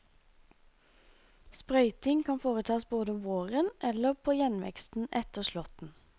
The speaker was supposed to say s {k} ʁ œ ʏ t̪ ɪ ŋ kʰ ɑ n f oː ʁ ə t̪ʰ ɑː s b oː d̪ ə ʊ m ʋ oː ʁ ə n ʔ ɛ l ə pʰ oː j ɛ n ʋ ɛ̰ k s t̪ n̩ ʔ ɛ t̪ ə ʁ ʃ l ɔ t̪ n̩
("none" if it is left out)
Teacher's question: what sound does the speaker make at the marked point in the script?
p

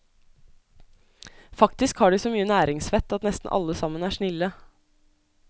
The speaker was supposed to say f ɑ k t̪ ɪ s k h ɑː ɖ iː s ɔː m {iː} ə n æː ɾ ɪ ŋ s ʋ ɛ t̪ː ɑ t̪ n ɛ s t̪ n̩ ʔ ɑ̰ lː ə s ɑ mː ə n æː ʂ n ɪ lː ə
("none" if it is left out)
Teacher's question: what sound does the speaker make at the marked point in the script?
yː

